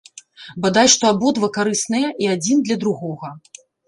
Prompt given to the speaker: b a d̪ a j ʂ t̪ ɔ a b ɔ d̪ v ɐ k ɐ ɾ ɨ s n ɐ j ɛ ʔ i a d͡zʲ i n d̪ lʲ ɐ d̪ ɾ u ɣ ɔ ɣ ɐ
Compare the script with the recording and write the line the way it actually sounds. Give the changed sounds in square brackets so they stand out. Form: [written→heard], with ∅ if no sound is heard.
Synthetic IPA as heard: b a d̪ a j ʂ t̪ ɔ a b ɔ d̪ v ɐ k [ɐ→a] ɾ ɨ s n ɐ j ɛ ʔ i a d͡zʲ i n d̪ lʲ ɐ d̪ ɾ u ɣ ɔ ɣ ɐ